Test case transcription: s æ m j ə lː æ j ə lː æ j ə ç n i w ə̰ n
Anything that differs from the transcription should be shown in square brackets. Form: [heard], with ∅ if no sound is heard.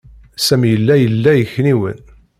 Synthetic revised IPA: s æ m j ə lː æ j ə lː æ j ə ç n i w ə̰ n